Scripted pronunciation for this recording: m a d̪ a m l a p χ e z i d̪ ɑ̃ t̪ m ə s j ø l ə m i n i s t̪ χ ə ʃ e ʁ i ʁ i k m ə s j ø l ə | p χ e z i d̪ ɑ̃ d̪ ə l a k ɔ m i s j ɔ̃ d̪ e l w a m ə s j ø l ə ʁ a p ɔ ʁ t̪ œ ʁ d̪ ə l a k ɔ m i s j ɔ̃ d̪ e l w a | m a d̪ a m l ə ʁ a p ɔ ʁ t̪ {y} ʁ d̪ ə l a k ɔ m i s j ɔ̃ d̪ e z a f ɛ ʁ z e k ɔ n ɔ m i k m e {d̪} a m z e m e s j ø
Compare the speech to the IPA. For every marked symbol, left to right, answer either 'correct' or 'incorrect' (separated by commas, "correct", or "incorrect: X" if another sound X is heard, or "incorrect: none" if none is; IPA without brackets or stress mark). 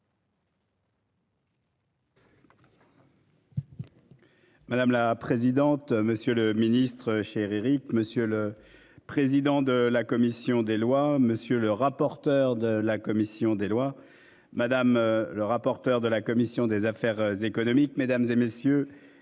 incorrect: œ, correct